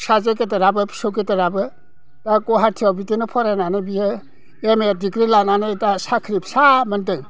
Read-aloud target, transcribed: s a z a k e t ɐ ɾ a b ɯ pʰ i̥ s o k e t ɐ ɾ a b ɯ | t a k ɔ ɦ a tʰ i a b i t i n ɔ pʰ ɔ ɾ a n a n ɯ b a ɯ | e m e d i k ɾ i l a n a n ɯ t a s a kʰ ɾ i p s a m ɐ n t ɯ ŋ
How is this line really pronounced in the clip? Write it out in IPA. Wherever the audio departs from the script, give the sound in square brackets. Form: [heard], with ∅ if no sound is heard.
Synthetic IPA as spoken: s a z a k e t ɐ ɾ a b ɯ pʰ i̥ s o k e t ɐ ɾ a b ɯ | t a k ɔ ɦ a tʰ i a b i t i n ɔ pʰ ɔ ɾ a n a n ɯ b [i] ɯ | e m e d i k ɾ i l a n a n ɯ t a s a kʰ ɾ i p s a m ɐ n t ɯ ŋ